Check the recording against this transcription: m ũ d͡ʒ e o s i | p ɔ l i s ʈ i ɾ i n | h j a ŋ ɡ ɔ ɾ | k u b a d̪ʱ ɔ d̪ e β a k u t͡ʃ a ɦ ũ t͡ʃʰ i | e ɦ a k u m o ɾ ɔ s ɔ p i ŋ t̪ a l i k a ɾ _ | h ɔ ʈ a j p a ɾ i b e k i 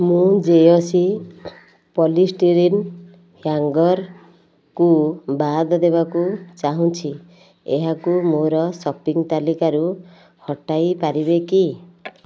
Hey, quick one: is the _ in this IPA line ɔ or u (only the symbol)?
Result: u